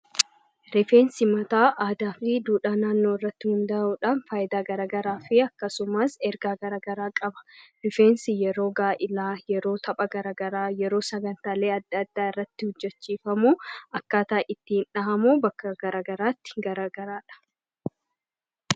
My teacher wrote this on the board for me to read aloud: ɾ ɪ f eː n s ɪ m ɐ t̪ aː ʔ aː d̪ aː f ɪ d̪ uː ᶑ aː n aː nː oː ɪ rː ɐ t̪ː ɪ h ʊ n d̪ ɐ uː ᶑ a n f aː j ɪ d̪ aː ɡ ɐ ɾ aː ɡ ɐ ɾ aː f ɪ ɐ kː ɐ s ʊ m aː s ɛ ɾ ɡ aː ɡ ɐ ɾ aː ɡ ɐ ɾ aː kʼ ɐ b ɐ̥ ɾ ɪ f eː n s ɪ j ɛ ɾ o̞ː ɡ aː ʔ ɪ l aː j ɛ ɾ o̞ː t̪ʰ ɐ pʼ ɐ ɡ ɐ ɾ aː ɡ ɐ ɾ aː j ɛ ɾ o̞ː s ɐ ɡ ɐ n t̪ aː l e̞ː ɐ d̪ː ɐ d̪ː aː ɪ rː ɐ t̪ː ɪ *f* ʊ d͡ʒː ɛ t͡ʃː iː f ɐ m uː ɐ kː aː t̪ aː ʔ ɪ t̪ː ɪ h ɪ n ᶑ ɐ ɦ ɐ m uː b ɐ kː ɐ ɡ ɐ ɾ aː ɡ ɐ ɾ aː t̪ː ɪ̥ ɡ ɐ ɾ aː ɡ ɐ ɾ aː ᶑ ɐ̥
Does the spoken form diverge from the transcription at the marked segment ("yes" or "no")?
yes